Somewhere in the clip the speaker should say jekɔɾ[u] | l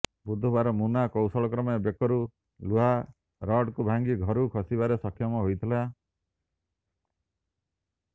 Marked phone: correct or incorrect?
correct